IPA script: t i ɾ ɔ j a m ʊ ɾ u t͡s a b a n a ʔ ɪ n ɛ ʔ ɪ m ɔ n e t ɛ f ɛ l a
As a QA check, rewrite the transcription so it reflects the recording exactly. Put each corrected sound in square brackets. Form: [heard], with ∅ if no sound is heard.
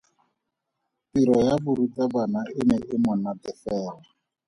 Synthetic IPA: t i ɾ ɔ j a [b] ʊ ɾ u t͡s a b a n a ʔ ɪ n ɛ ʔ ɪ m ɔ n [a] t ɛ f [ɛː] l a

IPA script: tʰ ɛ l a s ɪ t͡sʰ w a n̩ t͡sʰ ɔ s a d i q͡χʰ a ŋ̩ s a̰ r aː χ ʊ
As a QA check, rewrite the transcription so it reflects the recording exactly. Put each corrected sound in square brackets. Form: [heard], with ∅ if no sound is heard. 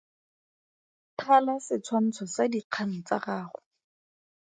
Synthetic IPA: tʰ [a] l a s ɪ t͡sʰ w a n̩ t͡sʰ ɔ s a d i q͡χʰ a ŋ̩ [t͡s] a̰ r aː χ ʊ

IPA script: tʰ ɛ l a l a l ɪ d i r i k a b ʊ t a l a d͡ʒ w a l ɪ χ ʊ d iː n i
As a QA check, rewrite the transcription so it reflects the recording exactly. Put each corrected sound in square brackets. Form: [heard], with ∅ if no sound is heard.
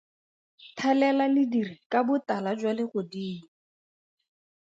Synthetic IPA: tʰ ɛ l [ɛ] l a l ɪ d i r i k a b ʊ t a l a d͡ʒ w a l ɪ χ ʊ d iː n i

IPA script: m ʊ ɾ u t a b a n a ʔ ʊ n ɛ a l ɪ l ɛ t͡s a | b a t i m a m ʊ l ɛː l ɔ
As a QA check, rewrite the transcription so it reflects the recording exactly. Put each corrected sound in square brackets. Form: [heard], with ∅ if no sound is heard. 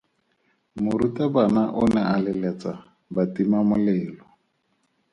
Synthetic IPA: m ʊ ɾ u t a b a n a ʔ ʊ n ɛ a l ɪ l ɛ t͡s a | b a t i m a m ʊ l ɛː l ɔ

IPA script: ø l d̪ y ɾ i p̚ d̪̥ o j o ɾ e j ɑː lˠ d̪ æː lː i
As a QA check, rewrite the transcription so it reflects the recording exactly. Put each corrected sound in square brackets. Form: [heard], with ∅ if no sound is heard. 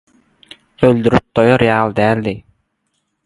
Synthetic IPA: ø l d̪ y ɾ [y] p̚ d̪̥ o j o ɾ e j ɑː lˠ d̪ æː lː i

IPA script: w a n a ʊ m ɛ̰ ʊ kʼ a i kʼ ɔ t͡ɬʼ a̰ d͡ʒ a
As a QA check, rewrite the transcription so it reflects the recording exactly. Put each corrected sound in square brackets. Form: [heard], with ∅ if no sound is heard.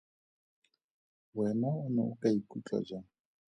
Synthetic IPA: w [ɛ] n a ʊ [n] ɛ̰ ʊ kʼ a i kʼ [u] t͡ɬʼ a̰ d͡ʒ a

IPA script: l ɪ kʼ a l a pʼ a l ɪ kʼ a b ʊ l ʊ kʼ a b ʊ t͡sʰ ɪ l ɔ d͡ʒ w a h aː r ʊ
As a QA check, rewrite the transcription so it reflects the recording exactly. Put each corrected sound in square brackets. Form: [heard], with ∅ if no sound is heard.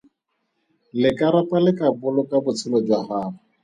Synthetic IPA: l ɪ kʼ a [ɾ] a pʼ a l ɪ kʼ a b ʊ l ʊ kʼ a b ʊ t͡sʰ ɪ l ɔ d͡ʒ w a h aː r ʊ

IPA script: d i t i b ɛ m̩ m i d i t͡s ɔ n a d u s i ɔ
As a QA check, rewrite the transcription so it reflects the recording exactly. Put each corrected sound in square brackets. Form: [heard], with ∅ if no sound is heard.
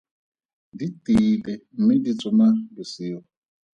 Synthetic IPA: d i t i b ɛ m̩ m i d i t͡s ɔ [m] a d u s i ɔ

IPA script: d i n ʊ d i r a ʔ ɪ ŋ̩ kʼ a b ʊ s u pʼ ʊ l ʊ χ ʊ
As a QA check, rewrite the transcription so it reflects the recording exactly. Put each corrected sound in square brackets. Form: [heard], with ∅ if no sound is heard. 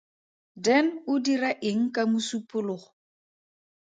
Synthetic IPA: d [ɛ] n ʊ d i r a ʔ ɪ ŋ̩ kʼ a [m] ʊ s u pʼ ʊ l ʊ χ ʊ

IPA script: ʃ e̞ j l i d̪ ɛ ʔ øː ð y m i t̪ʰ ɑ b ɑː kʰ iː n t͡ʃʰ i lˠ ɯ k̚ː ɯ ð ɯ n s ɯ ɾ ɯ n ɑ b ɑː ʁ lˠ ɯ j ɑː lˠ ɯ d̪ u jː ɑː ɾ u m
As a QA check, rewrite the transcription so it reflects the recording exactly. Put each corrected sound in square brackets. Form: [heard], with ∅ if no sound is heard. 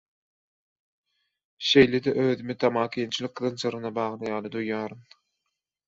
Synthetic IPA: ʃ e̞ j l [e] d̪ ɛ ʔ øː ð y m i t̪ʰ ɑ [m] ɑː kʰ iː n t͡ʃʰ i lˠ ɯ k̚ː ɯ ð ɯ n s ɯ ɾ ɯ n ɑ b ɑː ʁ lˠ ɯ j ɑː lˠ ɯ d̪ u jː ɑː ɾ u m

